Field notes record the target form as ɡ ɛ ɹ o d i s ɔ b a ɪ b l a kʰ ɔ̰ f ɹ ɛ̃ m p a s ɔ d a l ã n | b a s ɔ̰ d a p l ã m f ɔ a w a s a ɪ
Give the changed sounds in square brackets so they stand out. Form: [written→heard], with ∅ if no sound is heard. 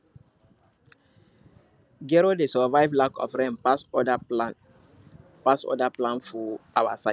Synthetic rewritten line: ɡ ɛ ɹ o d [i→e] s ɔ [b→v] a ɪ [b→v] l a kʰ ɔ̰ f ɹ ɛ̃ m p a s ɔ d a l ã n | [b→p] a s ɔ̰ d a p l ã [m→n] f ɔ a w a s a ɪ